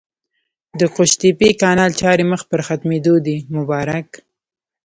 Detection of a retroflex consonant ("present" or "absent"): absent